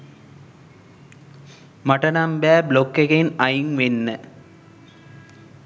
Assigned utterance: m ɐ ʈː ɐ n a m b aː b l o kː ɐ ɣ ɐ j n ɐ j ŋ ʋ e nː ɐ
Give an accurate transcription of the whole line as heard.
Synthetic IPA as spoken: m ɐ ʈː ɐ n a m b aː b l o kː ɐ ɣ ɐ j n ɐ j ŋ ʋ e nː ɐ